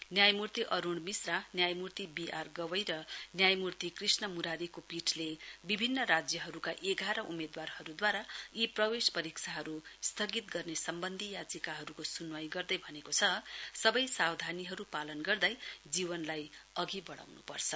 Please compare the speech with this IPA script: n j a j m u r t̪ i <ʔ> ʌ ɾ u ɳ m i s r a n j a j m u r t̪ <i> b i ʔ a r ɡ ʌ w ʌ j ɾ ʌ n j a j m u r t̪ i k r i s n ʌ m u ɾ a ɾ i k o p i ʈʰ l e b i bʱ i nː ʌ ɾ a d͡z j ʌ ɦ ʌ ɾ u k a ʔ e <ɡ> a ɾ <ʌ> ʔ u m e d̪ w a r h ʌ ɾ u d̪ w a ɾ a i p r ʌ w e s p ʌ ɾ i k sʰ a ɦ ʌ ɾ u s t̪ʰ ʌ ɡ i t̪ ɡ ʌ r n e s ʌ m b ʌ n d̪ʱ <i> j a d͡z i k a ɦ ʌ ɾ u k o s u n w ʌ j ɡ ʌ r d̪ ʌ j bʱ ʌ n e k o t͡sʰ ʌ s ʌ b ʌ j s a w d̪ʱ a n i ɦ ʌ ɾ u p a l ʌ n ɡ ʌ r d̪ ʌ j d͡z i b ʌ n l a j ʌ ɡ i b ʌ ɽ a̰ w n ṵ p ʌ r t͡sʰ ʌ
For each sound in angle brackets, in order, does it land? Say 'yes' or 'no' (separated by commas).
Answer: yes, yes, yes, yes, yes